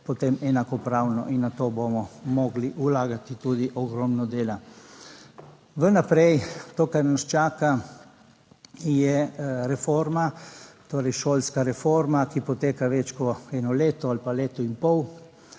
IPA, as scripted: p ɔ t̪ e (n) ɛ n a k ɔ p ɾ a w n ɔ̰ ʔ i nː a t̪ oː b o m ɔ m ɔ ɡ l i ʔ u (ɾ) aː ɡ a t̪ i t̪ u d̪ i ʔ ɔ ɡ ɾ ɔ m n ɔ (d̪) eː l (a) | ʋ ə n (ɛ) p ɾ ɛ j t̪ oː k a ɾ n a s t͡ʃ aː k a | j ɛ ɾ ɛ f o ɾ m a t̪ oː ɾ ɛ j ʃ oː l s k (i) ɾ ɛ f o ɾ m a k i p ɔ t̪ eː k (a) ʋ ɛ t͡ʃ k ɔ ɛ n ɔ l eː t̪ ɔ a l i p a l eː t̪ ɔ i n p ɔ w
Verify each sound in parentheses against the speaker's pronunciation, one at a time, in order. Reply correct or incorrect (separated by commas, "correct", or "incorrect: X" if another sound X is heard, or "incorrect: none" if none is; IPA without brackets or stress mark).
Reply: incorrect: m, incorrect: l, correct, correct, incorrect: a, incorrect: a, correct